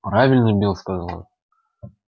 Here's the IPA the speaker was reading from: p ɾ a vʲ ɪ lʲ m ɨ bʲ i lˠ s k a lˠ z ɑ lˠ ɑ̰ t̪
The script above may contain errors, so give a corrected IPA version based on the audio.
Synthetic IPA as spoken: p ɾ a vʲ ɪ lʲ n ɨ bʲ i lˠ s k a z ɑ lˠ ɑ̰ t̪